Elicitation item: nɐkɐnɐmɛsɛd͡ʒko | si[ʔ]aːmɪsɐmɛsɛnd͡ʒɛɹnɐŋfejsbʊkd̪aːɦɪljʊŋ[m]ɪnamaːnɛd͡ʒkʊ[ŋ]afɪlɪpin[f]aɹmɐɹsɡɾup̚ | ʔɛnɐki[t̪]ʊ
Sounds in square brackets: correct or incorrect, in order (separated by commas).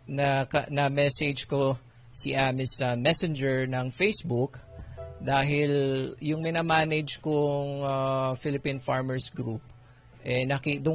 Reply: correct, correct, correct, correct, incorrect